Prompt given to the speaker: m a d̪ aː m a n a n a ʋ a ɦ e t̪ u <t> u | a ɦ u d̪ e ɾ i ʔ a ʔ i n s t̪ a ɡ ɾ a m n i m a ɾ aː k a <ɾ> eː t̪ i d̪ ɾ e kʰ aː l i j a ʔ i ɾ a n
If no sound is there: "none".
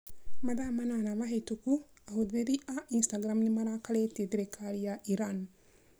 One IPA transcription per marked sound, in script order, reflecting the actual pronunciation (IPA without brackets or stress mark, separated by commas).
k, l